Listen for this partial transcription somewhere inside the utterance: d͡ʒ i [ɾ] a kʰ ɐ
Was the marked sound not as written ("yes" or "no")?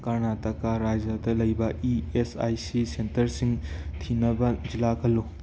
yes